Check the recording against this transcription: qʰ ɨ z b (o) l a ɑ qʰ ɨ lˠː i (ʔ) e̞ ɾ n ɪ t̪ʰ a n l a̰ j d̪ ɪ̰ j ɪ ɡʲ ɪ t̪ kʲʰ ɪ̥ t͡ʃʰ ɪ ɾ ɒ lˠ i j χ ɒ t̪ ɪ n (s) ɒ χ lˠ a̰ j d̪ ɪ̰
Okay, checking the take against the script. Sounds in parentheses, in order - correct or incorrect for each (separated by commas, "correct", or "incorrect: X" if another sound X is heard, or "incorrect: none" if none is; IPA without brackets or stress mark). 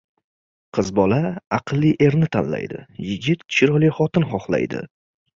incorrect: ɒ, correct, incorrect: χ